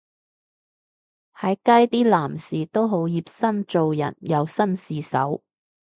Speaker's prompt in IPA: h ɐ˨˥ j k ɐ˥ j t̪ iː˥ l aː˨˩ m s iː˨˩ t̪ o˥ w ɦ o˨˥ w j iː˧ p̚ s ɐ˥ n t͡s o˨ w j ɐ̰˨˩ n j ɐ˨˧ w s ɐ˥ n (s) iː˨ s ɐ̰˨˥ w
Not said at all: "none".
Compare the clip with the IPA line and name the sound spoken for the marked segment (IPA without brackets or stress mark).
s